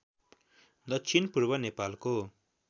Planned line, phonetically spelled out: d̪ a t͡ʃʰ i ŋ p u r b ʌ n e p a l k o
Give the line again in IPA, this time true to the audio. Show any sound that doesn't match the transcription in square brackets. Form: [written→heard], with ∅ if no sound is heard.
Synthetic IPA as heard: d̪ [a→ʌ] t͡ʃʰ i [ŋ→n] p u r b ʌ n e p a l k o